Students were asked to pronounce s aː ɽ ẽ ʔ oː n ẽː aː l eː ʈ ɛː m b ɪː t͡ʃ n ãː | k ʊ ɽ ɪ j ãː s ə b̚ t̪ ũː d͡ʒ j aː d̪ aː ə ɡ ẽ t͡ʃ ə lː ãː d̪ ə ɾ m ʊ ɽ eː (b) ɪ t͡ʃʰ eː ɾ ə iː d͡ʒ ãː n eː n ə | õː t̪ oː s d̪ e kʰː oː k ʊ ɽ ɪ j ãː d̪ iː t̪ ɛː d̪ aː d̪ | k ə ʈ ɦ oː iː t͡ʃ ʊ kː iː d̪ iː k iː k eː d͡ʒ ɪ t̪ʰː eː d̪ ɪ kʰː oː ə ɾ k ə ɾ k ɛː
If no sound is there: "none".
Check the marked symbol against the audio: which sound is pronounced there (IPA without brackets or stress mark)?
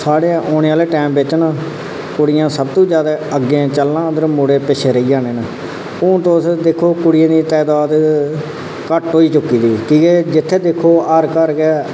p